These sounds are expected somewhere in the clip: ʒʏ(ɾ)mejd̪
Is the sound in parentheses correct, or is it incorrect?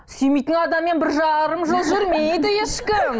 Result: correct